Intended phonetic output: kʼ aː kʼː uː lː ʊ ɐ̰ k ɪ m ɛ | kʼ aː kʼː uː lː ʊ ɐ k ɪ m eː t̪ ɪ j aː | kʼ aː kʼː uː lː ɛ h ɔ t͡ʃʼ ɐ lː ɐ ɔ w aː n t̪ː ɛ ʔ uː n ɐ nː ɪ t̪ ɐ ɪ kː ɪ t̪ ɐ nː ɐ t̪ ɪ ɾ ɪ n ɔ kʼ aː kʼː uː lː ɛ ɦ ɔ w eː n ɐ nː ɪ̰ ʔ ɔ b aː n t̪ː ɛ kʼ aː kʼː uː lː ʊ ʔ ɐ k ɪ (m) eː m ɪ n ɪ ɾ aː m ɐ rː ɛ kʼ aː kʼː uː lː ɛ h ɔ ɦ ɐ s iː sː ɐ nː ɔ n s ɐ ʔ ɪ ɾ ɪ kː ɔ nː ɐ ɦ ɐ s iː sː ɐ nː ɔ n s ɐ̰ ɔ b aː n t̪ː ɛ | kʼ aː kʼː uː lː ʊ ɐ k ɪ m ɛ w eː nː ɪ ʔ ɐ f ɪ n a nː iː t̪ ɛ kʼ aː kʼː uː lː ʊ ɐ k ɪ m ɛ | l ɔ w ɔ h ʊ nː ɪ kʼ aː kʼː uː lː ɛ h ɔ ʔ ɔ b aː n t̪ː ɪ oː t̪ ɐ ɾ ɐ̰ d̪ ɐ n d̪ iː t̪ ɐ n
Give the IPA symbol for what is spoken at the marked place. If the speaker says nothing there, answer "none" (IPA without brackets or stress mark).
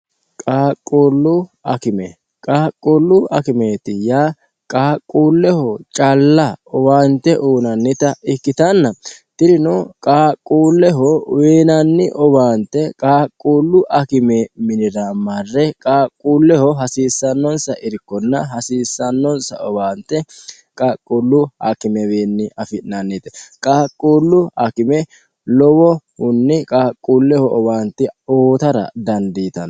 m